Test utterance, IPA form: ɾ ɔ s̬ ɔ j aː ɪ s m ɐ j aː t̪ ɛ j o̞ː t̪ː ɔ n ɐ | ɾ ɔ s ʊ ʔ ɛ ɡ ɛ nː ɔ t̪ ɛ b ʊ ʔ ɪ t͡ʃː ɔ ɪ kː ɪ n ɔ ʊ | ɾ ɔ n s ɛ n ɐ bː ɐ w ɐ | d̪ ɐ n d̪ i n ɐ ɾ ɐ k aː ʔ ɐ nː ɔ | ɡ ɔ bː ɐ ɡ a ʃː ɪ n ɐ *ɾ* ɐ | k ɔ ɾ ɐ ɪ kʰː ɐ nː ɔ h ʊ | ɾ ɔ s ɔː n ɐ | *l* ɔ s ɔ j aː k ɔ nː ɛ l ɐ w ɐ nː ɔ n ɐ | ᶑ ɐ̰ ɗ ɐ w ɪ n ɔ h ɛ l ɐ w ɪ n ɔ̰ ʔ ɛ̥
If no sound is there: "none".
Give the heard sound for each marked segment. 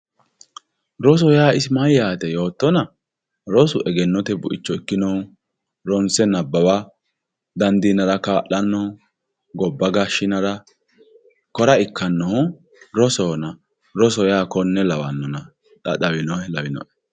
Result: ɾ, ɾ

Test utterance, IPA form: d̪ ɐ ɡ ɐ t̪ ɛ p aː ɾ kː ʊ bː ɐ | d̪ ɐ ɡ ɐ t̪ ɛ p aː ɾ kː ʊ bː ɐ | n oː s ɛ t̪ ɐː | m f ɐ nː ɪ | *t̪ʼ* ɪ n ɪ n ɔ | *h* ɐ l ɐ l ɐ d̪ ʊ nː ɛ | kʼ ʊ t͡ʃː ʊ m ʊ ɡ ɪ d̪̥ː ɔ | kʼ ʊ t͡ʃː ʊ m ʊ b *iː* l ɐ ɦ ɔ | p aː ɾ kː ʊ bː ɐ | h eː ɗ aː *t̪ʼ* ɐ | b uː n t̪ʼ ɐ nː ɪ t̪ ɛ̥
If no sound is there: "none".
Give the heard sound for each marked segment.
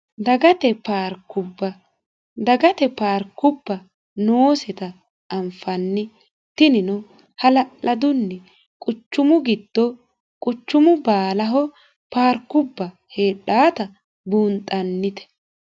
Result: t̪, h, aː, t̪

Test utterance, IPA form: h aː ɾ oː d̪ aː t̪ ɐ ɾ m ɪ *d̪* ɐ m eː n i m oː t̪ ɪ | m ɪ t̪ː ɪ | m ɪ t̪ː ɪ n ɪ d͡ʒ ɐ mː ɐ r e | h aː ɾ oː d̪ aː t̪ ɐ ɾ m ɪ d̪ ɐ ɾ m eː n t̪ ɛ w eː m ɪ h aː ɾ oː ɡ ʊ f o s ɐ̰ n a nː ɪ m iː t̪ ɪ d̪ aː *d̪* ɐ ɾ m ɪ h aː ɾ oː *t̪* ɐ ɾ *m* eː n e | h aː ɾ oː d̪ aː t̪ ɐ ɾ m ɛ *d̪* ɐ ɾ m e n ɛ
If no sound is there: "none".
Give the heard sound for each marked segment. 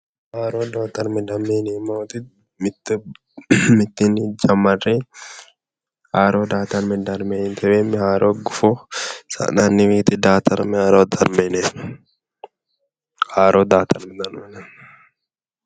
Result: d̪, t̪, d̪, m, d̪

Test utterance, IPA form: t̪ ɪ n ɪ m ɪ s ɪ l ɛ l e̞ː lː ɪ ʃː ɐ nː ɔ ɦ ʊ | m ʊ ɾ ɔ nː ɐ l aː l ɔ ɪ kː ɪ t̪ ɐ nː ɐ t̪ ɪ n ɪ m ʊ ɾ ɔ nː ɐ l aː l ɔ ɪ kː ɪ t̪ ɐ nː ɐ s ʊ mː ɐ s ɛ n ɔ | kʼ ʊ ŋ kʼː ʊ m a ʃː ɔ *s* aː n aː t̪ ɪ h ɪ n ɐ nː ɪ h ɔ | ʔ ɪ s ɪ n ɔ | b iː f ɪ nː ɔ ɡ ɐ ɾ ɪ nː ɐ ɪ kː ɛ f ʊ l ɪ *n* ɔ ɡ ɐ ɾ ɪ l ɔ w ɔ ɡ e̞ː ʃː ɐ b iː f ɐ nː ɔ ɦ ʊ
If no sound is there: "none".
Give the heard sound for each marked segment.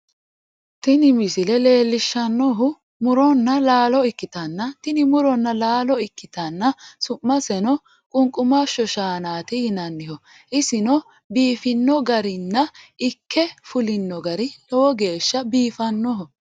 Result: ʃ, nː

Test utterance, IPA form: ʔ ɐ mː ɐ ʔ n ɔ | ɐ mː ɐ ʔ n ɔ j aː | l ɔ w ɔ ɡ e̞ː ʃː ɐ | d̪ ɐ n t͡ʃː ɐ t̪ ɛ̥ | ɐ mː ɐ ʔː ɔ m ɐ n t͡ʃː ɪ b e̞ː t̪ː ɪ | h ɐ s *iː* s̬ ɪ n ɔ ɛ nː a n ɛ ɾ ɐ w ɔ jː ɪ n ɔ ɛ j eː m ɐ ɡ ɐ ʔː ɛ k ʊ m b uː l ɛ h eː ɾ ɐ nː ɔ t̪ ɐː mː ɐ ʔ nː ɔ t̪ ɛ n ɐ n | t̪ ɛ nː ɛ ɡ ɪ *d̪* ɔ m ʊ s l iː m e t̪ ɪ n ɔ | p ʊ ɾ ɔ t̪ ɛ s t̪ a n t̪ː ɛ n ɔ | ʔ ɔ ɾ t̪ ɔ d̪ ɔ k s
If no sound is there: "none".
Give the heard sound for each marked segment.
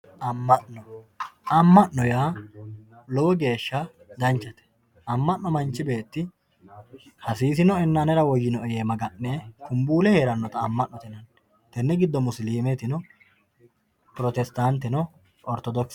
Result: iː, d̪ː

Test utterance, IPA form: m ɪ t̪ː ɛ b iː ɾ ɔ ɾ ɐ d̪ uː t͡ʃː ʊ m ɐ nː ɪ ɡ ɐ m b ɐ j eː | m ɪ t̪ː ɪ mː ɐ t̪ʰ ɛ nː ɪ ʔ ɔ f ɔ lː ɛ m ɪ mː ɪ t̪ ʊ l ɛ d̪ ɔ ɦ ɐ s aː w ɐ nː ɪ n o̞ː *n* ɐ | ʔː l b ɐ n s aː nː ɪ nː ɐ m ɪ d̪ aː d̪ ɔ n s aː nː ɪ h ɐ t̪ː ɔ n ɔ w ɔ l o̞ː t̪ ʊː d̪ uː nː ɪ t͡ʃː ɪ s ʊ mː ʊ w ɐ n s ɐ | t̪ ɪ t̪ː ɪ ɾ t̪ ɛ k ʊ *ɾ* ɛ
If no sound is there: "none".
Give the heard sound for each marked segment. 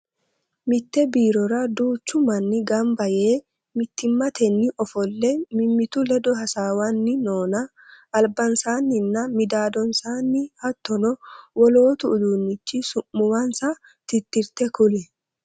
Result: n, l

